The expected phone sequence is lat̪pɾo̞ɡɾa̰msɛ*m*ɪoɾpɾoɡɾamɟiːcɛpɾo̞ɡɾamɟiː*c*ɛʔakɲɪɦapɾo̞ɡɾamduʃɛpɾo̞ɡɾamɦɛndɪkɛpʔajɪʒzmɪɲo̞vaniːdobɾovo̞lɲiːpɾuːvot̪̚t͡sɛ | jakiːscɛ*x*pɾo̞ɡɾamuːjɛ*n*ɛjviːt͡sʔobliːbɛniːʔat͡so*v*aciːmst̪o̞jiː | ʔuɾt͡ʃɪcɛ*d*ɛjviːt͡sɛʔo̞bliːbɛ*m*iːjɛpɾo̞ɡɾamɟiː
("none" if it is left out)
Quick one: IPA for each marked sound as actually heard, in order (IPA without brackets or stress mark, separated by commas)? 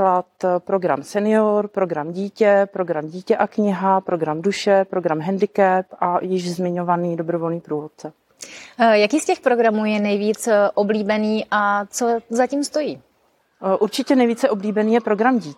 n, c, x, n, z, n, n